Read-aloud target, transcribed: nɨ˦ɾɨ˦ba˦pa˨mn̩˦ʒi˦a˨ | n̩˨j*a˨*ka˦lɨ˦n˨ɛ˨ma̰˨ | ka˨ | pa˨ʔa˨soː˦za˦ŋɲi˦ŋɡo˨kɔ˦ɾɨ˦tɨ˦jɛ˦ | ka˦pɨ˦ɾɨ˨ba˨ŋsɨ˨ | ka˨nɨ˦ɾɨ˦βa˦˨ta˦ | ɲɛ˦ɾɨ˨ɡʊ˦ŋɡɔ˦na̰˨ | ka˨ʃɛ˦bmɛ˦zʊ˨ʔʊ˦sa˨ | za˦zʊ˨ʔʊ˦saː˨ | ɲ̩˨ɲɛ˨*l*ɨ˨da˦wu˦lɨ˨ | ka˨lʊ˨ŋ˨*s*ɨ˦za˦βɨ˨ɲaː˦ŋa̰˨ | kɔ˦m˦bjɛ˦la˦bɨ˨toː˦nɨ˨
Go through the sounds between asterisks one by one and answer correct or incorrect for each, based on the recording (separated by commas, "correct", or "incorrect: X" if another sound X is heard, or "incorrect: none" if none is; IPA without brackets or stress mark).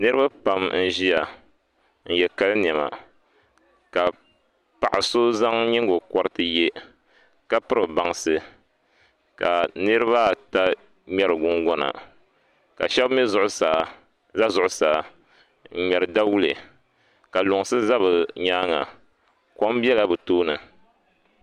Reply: incorrect: ɛ˨, incorrect: ɾ, correct